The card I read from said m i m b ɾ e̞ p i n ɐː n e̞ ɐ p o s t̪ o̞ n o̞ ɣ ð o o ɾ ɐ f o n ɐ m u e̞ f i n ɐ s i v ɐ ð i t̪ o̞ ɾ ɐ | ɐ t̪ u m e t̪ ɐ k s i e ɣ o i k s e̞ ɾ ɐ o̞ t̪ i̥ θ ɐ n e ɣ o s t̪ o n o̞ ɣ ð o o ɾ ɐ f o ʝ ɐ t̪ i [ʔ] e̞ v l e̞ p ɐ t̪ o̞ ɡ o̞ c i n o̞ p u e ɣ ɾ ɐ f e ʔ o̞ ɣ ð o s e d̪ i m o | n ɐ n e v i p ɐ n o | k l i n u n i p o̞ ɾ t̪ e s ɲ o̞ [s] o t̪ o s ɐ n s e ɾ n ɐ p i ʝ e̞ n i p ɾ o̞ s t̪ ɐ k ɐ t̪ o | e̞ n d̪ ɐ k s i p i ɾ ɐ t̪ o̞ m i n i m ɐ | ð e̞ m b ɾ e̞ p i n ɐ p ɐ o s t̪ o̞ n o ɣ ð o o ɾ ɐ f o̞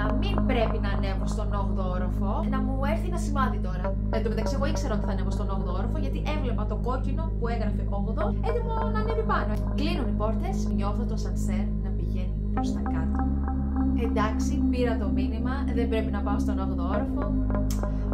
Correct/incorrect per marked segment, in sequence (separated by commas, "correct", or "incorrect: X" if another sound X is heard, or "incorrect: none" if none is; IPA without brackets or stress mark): correct, incorrect: θ